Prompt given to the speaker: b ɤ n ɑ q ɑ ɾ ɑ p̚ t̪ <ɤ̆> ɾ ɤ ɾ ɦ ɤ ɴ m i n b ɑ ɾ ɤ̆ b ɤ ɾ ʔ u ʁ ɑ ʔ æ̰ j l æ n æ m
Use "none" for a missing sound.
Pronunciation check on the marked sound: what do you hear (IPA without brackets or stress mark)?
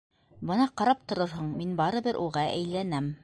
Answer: ŏ